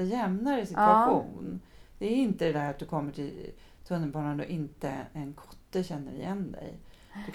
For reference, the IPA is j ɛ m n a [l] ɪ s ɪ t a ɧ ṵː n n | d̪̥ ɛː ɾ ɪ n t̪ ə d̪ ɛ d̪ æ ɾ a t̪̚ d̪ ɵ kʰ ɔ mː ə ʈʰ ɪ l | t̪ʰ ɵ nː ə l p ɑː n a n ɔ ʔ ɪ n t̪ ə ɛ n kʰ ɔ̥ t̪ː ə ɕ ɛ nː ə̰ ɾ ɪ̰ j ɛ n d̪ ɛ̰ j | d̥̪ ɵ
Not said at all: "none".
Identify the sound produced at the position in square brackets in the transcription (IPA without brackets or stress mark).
ɾ